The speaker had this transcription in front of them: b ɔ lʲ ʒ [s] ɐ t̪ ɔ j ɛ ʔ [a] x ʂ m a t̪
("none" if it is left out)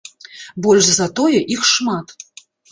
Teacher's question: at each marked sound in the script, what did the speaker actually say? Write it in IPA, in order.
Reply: z, i

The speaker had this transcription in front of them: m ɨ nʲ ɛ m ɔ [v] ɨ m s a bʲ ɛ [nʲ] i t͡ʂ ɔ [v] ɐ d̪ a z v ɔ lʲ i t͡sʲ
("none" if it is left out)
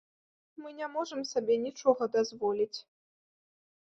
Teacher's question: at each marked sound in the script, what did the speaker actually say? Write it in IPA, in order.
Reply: ʐ, nʲ, ɣ

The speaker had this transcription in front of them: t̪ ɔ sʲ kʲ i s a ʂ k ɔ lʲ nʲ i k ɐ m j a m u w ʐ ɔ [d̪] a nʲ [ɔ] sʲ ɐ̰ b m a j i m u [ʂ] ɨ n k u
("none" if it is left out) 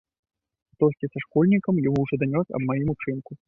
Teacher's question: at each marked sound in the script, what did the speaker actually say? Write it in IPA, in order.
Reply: d̪, ɔ, t͡ʂ

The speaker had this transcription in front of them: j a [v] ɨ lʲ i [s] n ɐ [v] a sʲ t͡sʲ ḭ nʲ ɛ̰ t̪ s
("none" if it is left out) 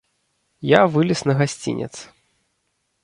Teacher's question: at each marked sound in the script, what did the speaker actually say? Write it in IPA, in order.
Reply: v, s, ɣ

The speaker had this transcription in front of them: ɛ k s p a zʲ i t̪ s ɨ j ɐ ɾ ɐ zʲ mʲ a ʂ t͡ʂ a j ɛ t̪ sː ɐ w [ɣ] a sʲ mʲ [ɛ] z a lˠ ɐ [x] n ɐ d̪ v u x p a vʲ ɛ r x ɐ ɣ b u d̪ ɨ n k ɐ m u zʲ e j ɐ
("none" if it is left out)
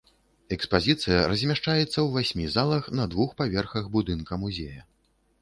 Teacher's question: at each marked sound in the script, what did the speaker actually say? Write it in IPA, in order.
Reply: v, i, x

